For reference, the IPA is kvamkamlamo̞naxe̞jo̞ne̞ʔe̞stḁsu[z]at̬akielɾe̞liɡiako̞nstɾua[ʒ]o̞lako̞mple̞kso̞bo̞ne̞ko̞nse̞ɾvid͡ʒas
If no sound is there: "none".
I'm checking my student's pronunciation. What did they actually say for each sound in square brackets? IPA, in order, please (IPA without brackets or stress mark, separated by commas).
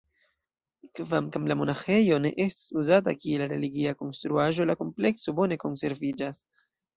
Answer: z, ʒ